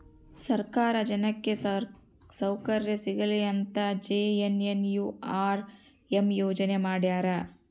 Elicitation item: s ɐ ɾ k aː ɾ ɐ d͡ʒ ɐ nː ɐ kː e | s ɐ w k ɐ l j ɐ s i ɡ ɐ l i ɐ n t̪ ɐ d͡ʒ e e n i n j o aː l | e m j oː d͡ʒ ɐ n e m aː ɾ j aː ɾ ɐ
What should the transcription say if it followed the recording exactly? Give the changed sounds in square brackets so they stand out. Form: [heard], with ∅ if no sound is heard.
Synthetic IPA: s ɐ ɾ k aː ɾ ɐ d͡ʒ ɐ [n] ɐ kː e | s ɐ w k ɐ [ɾ] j ɐ s i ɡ ɐ l i ɐ n t̪ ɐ d͡ʒ e e n [e] n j [u] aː [ɾ] | e m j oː d͡ʒ ɐ n e m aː [ɽ] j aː ɾ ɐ